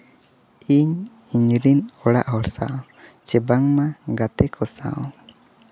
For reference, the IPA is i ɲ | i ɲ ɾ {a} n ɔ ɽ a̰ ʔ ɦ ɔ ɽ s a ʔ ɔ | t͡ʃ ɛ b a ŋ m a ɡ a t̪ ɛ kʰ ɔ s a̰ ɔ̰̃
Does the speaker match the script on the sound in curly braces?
no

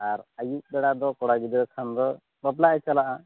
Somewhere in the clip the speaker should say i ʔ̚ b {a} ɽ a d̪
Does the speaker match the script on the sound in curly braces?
no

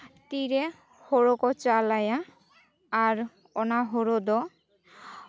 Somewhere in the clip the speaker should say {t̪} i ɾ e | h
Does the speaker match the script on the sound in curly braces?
yes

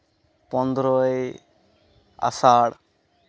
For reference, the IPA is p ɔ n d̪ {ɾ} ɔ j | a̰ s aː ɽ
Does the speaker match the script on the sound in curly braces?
yes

